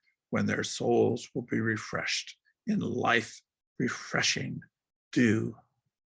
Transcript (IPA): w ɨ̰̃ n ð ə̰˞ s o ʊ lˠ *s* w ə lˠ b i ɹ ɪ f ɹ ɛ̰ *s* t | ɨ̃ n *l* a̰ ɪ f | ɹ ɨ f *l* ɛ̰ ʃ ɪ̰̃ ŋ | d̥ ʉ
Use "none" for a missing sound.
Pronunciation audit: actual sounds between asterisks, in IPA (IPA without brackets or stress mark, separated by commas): z, ʃ, l, ɹ